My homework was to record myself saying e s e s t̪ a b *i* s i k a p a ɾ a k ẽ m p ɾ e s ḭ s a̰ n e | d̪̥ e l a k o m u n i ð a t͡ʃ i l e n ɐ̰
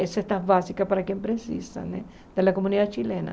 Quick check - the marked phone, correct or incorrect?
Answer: incorrect